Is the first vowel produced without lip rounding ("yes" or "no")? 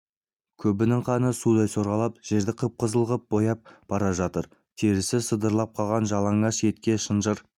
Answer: no